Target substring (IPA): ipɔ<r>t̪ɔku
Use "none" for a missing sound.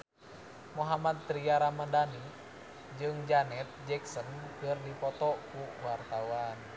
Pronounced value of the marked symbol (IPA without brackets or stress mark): none